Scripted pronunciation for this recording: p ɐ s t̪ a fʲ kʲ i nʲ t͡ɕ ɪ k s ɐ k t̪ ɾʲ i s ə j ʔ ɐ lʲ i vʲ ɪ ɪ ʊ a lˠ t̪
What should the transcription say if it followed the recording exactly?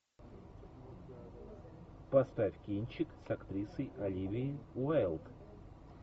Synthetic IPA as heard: p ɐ s t̪ a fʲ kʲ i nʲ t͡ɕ ɪ k s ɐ k t̪ ɾʲ i s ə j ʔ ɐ lʲ i vʲ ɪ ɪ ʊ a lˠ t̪